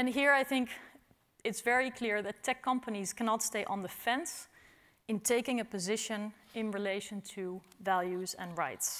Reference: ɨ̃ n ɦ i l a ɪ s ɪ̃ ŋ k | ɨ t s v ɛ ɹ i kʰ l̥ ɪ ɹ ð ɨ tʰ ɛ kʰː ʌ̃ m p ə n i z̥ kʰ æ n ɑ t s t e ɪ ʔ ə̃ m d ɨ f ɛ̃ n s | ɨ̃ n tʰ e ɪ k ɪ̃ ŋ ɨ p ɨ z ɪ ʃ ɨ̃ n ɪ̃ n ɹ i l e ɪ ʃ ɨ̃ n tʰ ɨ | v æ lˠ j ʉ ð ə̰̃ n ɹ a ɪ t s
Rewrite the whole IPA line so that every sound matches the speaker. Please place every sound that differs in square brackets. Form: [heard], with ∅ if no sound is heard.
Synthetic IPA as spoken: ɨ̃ n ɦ i [ɹ] a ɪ [θ] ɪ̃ ŋ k | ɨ t s v ɛ ɹ i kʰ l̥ ɪ ɹ ð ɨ tʰ ɛ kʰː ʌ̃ m p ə n i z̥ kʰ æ n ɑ t s t e ɪ ʔ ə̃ [n] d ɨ f ɛ̃ n s | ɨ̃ n tʰ e ɪ k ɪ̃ ŋ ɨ p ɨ z ɪ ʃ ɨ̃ n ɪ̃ n ɹ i l e ɪ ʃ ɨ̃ n tʰ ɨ | v æ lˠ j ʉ [z] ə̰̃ n ɹ a ɪ t s